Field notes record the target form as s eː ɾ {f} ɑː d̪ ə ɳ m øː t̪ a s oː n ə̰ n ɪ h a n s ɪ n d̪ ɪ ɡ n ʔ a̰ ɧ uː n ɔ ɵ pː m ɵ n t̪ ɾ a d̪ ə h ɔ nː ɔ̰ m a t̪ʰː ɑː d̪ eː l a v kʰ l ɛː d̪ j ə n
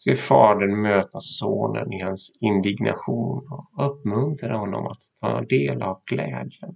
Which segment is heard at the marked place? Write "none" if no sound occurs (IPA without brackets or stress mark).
f